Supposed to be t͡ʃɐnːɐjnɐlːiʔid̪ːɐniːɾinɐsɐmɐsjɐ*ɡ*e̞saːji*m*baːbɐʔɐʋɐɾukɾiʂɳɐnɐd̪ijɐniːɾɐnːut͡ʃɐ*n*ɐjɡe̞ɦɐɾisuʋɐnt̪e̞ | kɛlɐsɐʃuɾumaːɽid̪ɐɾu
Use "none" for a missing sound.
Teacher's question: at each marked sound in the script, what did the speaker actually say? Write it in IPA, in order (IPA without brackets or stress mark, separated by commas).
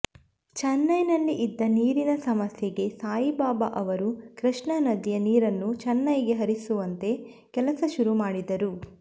ɡ, none, nː